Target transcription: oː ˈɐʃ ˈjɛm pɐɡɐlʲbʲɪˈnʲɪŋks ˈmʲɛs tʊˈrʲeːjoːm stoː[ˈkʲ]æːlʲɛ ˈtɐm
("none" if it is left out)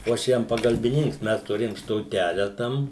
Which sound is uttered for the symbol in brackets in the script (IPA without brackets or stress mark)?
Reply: tʲ